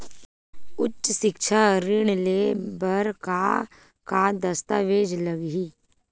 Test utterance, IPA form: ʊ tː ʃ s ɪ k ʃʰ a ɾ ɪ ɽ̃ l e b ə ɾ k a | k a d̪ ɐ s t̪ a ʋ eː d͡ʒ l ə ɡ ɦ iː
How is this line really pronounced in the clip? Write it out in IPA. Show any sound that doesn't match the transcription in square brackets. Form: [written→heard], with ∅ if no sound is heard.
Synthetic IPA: ʊ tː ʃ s ɪ k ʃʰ a ɾ ɪ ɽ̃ l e b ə ɾ k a | k a d̪ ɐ s t̪ a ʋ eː d͡ʒ l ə ɡ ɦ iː